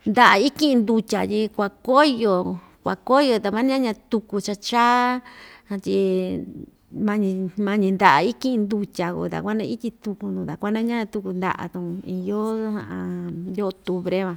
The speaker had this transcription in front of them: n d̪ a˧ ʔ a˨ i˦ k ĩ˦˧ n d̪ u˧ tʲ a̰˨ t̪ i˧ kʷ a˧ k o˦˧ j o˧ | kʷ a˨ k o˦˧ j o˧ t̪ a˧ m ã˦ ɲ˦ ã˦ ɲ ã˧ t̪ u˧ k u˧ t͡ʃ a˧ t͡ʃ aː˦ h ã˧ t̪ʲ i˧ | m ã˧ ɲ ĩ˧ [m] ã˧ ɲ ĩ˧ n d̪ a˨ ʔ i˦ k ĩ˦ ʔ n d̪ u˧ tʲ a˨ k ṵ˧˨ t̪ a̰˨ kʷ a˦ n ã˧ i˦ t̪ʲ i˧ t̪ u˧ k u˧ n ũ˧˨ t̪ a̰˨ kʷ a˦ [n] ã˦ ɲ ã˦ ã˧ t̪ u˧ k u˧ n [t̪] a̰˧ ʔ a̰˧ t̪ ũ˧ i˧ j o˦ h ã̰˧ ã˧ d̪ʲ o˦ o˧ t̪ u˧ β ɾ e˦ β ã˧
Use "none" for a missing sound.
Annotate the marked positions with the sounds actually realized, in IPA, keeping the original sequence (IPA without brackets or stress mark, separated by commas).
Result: m, n, d̪